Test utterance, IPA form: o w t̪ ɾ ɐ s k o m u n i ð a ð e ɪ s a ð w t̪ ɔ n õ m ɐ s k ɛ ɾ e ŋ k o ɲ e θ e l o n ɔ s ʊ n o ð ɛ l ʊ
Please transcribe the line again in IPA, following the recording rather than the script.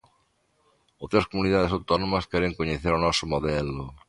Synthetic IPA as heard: o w t̪ ɾ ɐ s k o m u n i ð a ð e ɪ s a w t̪ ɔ n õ m ɐ s k ɛ ɾ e ŋ k o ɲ e θ e ɾ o n ɔ s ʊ m o ð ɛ l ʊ

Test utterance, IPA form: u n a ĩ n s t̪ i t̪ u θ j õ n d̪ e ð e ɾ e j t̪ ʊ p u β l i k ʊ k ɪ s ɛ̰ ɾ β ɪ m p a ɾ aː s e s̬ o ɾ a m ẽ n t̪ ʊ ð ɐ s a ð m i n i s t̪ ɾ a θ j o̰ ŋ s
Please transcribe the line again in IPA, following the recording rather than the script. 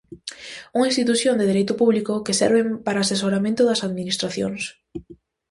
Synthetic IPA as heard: u ŋ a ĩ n s t̪ i t̪ u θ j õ n d̪ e ð e ɾ e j t̪ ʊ p u β l i k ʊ k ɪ s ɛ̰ ɾ β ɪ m p a ɾ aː s e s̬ o ɾ a m ẽ n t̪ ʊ ð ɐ s a ð m i n i s t̪ ɾ a θ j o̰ ŋ s

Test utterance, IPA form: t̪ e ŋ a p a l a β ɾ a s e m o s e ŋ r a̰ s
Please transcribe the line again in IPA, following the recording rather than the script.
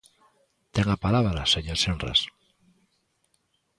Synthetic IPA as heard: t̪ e ŋ a p a l a β ɾ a s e ɲ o s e n r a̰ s

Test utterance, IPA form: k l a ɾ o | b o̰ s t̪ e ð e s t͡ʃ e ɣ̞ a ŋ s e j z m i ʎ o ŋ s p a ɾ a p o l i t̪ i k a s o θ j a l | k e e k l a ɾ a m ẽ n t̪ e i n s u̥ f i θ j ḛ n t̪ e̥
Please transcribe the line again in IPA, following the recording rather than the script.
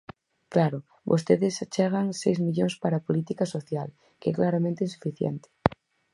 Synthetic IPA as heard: k l a ɾ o | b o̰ s t̪ e ð e s t͡ʃ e ɣ̞ a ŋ s e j z m i ʎ o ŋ s p a ɾ a p o l i t̪ i k a s o θ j a l | k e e k l a ɾ a m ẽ n t̪ e i n s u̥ f i θ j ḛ n t̪ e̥

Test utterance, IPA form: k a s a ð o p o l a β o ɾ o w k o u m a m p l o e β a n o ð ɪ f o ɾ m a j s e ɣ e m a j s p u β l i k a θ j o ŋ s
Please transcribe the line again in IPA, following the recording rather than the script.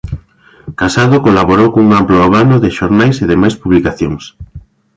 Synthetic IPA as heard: k a s a ð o k o l a β o ɾ o w k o u ŋ a m p l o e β a n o ð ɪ ʃ o ɾ n a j s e ð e m a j s p u β l i k a θ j o ŋ s

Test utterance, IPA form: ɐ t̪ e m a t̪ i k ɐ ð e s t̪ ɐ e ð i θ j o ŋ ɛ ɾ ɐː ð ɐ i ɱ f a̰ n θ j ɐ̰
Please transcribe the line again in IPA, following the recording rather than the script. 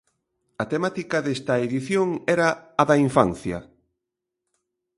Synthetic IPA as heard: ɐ t̪ e m a t̪ i k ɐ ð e s t̪ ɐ e ð i θ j o ŋ ɛ ɾ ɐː ð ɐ i ɱ f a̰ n θ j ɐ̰

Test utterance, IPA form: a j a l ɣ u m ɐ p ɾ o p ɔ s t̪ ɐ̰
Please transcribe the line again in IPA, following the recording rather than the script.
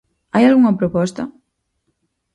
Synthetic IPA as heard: a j a l ɣ u ŋ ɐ p ɾ o p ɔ s t̪ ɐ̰

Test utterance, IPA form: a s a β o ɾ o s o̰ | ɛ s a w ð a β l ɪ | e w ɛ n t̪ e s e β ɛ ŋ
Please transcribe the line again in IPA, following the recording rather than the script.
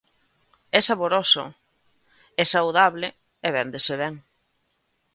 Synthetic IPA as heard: ɛ s a β o ɾ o s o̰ | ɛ s a w ð a β l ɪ | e β ɛ n d̪ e s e β ɛ ŋ

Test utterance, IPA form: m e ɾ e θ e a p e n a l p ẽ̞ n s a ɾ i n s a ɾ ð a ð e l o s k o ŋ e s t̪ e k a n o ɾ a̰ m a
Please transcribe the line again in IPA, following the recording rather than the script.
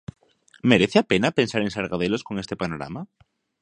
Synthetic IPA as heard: m e ɾ e θ e a p e n a p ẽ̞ n s a ɾ e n s a ɾ ɣ a ð e l o s k o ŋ e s t̪ e p a n o ɾ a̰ m a

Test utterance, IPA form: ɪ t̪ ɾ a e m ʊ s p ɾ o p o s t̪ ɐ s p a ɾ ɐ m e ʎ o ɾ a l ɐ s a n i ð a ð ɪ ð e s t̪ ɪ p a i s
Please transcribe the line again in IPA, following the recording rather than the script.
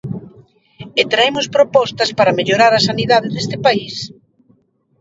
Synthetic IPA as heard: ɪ t̪ ɾ a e m ʊ s p ɾ o p ɔ s t̪ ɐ s p a ɾ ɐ m e ʎ o ɾ a ɾ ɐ s a n i ð a ð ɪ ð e s t̪ ɪ p a i s

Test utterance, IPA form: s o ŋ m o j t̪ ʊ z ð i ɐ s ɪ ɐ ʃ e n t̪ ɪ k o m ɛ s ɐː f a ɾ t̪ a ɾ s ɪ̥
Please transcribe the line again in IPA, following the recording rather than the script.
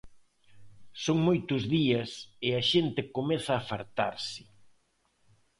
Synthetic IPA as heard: s o ŋ m o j t̪ ʊ z ð i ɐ s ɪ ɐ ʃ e n t̪ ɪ k o m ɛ θ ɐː f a ɾ t̪ a ɾ s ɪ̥

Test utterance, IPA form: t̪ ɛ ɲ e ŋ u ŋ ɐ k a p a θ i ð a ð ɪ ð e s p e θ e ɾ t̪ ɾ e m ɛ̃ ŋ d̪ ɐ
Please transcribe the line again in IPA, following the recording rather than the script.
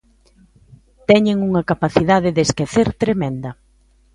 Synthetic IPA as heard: t̪ ɛ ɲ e ŋ u ŋ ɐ k a p a θ i ð a ð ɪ ð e s k e θ e ɾ t̪ ɾ e m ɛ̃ n d̪ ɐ

